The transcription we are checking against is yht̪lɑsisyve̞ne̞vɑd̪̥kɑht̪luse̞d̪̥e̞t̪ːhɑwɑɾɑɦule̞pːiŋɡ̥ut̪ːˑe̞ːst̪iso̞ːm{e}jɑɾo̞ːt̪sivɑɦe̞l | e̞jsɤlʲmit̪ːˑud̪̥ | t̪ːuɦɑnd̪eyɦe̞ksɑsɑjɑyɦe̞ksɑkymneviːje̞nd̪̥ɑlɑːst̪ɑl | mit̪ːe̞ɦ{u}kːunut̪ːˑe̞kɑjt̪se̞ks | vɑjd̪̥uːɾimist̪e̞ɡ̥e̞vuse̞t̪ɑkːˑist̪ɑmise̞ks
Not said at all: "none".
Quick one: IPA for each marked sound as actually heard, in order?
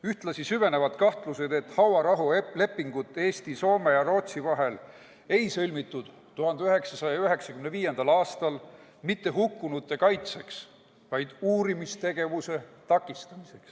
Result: e, u

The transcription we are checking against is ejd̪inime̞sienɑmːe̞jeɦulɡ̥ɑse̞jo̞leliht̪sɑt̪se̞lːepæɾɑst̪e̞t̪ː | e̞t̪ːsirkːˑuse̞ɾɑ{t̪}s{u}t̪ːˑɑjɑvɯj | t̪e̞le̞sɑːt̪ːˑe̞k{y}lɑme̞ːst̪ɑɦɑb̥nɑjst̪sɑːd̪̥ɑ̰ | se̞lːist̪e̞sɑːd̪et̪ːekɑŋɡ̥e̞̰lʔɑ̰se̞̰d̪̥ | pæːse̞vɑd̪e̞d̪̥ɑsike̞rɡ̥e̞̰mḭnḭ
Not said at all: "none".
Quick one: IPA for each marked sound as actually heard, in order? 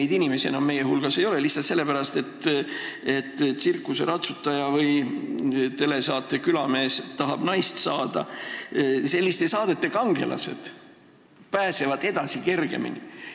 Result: t̪, u, y

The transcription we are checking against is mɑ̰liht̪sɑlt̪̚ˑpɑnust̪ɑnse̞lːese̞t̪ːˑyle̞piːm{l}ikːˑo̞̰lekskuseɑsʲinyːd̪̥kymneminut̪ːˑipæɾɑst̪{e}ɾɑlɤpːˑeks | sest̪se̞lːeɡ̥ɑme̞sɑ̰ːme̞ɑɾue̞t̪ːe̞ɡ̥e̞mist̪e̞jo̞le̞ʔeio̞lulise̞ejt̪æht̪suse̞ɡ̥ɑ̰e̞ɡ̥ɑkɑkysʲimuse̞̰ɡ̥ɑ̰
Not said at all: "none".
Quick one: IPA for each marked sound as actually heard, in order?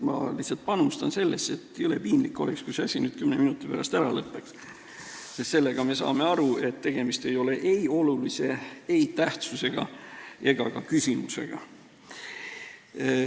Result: l, æ

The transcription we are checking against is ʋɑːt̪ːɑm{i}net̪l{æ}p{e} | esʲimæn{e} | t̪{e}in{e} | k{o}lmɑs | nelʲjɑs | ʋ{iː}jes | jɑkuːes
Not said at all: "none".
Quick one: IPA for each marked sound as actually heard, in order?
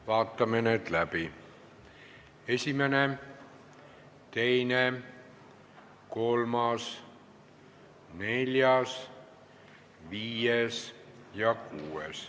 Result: e, æ, i, e, e, e, o, iː

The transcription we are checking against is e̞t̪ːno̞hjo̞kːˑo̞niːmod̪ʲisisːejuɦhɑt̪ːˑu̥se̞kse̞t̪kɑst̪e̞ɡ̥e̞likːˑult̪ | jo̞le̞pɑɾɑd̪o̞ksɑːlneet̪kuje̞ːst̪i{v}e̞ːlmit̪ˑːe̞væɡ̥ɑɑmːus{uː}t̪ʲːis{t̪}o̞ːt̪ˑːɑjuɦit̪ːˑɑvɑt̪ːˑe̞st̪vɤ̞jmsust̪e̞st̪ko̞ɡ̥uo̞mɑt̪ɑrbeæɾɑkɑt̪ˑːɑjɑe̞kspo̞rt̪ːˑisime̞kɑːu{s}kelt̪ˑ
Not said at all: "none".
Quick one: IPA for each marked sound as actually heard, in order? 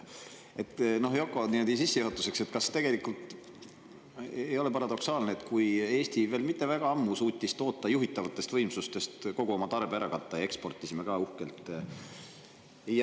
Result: v, uː, t̪, h

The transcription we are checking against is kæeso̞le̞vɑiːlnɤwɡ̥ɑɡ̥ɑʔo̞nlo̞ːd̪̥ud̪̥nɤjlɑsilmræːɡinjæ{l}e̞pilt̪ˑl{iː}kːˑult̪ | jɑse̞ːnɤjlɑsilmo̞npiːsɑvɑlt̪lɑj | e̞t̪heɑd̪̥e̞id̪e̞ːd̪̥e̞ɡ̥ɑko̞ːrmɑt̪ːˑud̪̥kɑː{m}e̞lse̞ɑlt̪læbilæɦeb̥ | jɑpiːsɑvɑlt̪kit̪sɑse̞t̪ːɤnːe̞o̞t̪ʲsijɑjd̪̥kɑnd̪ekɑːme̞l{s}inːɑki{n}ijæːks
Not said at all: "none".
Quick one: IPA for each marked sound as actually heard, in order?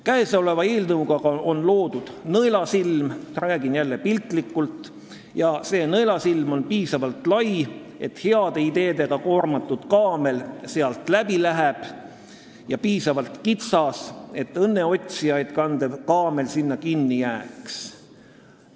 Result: lː, i, m, s, nː

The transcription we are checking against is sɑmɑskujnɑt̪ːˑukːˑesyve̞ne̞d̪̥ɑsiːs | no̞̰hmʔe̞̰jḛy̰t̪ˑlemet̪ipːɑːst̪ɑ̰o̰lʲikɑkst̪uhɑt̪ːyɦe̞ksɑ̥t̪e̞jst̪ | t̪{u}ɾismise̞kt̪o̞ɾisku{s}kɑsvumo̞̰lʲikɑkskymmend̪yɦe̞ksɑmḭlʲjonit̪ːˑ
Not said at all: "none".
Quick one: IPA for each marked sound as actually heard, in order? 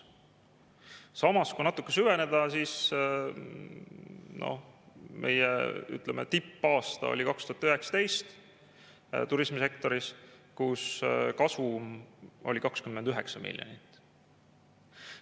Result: u, s

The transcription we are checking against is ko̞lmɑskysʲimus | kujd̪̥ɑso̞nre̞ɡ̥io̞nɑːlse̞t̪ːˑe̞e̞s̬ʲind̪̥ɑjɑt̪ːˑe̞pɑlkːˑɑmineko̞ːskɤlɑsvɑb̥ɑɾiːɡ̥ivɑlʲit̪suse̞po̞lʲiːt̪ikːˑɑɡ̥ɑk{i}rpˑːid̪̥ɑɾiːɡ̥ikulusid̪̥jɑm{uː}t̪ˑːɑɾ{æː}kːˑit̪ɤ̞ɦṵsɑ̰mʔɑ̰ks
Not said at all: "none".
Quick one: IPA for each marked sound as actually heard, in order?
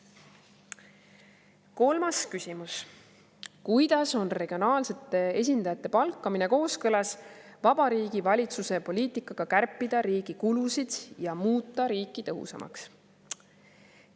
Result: æ, uː, iː

